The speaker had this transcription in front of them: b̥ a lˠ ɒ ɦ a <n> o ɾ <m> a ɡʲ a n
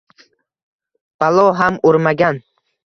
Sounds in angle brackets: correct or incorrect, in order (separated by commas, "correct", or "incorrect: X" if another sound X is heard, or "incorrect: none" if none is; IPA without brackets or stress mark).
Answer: incorrect: m, correct